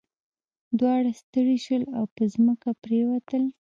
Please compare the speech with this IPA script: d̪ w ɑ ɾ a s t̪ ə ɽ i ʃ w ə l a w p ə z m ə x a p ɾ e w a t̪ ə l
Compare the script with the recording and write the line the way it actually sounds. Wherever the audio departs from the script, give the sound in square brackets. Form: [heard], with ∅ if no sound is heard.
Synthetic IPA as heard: d̪ w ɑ [ɽ] a s t̪ ə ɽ i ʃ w ə l a w p ə z m ə [k] a p ɾ e w a t̪ ə l

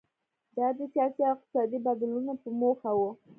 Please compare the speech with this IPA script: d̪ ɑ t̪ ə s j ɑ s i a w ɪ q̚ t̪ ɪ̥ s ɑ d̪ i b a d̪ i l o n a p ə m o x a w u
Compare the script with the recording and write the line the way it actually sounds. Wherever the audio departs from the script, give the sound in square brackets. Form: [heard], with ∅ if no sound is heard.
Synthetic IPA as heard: d̪ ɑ [d̪] ə s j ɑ s i a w ɪ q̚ t̪ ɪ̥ s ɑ d̪ i b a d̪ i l [u] n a p ə m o x a w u

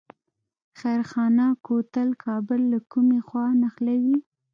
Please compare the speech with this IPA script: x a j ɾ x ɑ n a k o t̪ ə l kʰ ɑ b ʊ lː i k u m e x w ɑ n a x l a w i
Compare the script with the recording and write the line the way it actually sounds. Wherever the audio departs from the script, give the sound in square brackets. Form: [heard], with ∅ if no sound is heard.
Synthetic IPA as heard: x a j ɾ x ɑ n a k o t̪ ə l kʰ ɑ b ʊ lː [a] k u m e x w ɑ n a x l a w i

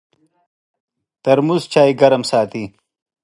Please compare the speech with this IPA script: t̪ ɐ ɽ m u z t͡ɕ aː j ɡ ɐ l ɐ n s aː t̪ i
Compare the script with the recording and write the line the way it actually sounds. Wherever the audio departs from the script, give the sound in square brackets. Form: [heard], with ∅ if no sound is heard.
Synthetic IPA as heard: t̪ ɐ [ɾ] m u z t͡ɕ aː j ɡ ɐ [ɾ] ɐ [m] s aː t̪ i

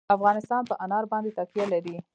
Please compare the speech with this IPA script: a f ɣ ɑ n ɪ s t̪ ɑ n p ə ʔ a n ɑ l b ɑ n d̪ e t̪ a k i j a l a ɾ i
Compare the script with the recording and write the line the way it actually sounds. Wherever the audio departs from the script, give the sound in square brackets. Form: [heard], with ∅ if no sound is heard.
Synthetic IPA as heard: a f ɣ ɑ n ɪ s t̪ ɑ n p ə ʔ a n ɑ [ɾ] b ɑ n d̪ e t̪ a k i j a l a ɾ i

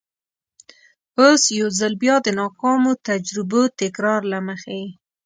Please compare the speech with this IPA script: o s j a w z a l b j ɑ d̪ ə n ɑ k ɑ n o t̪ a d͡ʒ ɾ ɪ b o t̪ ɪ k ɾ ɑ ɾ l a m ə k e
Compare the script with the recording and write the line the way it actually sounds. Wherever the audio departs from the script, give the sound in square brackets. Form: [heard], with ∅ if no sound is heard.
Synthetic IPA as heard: o s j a w z a l b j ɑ d̪ ə n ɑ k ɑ [m] o t̪ a d͡ʒ ɾ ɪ b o t̪ ɪ k ɾ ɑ ɾ l a m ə [x] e

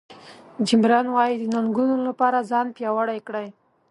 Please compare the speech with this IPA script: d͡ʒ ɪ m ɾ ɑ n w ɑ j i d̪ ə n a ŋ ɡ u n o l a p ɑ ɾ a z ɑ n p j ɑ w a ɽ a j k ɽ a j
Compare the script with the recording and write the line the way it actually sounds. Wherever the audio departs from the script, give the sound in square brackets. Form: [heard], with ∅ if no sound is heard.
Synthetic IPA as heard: d͡ʒ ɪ m ɾ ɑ n w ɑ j i d̪ ə n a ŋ ɡ u n o l a p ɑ ɾ a z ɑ n p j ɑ w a ɽ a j k ɽ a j

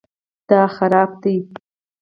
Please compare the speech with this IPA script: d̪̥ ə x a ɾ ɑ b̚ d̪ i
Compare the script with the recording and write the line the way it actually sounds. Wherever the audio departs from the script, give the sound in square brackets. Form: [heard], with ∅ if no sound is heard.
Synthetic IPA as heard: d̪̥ [ɑ] x a ɾ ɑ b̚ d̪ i

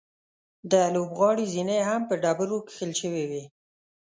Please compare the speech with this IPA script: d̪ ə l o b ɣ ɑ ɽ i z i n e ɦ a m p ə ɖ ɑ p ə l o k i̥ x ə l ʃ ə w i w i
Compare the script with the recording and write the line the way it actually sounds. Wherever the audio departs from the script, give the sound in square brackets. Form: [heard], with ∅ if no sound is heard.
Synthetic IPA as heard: d̪ ə l o b ɣ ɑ ɽ i z i n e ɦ a m p ə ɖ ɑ [b] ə [ɾ] o k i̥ x ə l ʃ ə w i w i

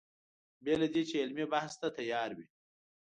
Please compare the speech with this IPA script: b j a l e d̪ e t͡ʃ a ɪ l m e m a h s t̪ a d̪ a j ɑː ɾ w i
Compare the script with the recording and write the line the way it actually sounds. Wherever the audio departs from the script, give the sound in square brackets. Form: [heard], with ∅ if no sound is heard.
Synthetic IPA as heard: b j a l [a] d̪ e t͡ʃ [e] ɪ l m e [b] a h s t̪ a [t̪] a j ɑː ɾ w i

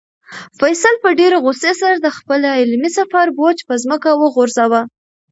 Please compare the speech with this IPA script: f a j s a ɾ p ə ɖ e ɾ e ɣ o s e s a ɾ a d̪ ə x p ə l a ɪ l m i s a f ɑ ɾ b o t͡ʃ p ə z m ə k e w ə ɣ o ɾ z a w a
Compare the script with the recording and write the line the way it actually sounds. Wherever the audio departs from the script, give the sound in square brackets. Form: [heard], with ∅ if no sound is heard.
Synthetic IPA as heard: f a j s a [l] p ə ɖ e ɾ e ɣ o s e s a ɾ a d̪ ə x p ə l a ɪ l m i s a f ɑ ɾ b o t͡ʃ p ə z m ə k [a] w ə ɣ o ɾ z a w a

